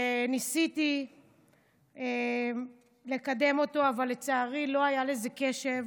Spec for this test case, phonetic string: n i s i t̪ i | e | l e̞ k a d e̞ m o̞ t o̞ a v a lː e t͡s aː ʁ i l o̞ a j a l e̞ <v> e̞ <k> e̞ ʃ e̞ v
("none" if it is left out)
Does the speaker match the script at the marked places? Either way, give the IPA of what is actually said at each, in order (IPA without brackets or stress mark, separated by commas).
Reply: z, k